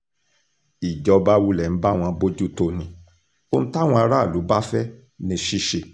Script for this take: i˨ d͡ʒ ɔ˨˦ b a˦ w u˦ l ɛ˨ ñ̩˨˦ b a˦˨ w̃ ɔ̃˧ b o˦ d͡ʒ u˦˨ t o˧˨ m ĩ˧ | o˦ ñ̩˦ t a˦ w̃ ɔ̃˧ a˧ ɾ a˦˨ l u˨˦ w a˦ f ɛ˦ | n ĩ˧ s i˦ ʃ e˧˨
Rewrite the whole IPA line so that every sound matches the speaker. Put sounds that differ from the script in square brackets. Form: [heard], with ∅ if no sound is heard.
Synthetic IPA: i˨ d͡ʒ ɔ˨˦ b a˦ w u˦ l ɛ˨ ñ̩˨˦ b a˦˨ w̃ ɔ̃˧ b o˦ d͡ʒ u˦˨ t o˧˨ [n] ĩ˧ | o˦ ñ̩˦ t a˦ w̃ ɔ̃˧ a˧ ɾ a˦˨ l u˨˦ [b] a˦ f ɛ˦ | n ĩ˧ [ʃ] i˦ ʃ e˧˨